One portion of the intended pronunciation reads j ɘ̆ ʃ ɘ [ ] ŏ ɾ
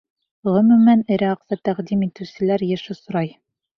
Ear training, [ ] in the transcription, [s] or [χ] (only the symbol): s